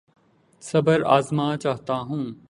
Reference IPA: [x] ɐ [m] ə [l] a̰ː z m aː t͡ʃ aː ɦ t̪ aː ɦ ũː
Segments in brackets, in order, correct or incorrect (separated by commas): incorrect, incorrect, incorrect